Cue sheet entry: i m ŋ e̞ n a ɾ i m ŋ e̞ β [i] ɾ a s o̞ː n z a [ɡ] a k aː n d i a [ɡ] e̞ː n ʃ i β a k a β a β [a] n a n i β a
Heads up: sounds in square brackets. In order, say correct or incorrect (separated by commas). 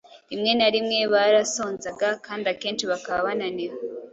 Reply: incorrect, correct, incorrect, correct